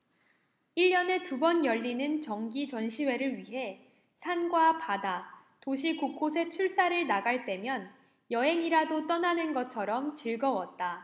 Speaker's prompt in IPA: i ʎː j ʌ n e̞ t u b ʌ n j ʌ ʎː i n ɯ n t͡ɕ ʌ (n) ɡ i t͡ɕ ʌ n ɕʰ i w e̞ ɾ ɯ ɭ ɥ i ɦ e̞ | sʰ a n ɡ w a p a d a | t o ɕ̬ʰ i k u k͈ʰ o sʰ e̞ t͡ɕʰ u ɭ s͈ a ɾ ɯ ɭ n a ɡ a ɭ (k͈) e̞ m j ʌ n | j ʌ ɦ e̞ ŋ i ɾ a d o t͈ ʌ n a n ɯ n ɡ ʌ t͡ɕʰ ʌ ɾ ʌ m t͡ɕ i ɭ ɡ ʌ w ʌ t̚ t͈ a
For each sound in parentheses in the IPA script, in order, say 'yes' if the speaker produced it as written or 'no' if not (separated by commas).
no, no